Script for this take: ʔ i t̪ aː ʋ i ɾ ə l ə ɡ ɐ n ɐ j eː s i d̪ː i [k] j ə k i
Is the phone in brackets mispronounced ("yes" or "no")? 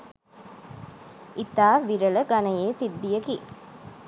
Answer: yes